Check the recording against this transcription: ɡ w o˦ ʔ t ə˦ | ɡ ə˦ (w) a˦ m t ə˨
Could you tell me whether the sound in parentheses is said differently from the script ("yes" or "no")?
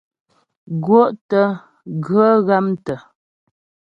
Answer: yes